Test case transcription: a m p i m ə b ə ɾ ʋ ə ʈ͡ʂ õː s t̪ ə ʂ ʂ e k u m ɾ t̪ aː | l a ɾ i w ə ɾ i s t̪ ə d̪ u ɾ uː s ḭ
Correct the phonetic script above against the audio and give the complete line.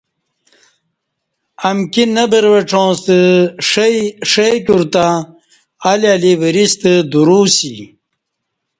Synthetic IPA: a m k i n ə b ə ɾ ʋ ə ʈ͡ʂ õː s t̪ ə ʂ ʂ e k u ɾ t̪ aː | l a l i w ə ɾ i s t̪ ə d̪ u ɾ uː s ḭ